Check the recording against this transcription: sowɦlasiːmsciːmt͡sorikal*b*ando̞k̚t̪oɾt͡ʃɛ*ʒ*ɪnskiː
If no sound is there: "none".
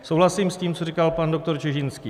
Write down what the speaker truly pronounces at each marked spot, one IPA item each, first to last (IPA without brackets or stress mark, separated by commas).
p, ʒ